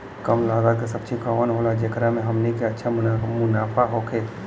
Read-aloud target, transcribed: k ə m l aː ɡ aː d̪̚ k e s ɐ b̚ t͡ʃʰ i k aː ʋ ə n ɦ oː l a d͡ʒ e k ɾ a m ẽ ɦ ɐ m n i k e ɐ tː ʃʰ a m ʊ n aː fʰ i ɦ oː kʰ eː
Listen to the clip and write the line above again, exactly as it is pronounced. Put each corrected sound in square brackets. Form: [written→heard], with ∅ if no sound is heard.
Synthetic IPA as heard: k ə m l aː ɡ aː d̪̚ k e s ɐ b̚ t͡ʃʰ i k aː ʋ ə n ɦ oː l a d͡ʒ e k ɾ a m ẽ ɦ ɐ m n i k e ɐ tː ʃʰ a m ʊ n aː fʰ [i→a] ɦ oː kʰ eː

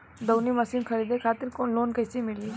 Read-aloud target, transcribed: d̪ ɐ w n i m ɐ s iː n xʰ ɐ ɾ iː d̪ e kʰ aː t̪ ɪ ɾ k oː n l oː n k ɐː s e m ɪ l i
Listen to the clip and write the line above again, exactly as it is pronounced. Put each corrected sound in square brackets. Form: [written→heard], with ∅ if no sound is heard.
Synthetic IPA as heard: d̪ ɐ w n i m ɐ s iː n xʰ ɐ ɾ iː d̪ e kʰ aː t̪ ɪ ɾ k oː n l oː n k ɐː s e m ɪ l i

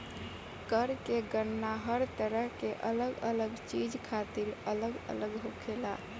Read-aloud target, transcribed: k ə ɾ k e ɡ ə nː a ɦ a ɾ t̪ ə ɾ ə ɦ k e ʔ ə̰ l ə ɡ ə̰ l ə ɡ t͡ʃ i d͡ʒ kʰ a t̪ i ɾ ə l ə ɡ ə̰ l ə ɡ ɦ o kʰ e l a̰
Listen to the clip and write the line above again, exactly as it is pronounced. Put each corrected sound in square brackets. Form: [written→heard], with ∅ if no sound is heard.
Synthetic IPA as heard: k ə ɾ k e ɡ ə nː a ɦ [a→ə] ɾ t̪ ə ɾ ə ɦ k e ʔ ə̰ l ə ɡ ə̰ l ə ɡ t͡ʃ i d͡ʒ kʰ a t̪ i ɾ ə l ə ɡ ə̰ l ə ɡ ɦ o kʰ e l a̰

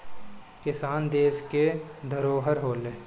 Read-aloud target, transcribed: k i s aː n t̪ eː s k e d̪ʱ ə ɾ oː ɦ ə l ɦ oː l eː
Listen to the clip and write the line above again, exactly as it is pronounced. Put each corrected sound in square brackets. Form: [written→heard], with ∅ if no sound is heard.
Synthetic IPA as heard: k [i→ɪ] s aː n [t̪→d̪] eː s k e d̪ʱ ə ɾ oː ɦ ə [l→ɾ] ɦ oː l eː

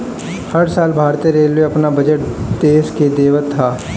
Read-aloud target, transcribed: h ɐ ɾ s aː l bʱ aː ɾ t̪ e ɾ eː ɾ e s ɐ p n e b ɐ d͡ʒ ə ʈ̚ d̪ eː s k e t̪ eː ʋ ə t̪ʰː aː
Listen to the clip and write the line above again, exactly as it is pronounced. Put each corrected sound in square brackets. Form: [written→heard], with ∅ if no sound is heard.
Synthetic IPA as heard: h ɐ ɾ s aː l bʱ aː ɾ t̪ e ɾ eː [ɾ→l] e [s→∅] ɐ p n [e→a] b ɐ d͡ʒ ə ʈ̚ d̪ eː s k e [t̪→d̪] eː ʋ ə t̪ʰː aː

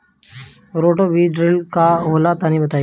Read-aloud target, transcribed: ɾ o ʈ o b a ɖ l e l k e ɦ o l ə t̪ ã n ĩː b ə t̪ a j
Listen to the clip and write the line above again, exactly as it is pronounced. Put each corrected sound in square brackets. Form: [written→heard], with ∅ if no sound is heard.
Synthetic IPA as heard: ɾ o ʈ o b [a→i] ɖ [l→ɾ] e l k [e→a] ɦ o l [ə→a] t̪ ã n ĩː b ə t̪ a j

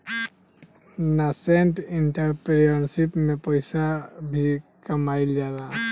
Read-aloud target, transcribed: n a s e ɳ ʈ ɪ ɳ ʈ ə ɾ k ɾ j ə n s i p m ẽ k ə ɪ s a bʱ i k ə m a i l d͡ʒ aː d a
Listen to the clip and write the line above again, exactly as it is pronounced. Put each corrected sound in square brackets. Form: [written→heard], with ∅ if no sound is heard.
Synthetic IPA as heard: n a s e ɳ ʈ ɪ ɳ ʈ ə ɾ [k→p] ɾ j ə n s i p m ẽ [k→p] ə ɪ s a bʱ i k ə m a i l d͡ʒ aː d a

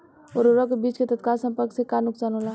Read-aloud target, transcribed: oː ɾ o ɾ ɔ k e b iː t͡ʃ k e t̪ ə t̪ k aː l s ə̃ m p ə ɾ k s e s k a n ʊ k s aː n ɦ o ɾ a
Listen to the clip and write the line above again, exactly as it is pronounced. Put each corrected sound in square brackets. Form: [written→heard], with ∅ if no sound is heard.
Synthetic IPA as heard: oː ɾ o ɾ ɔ k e b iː t͡ʃ k e t̪ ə t̪ k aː l s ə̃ m p ə ɾ k s e [s→∅] k a n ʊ k s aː n ɦ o [ɾ→l] a

